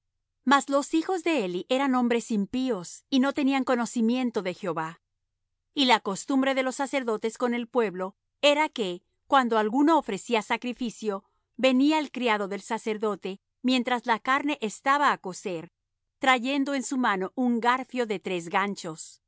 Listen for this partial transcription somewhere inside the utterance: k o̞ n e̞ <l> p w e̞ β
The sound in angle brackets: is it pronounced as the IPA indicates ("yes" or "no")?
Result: yes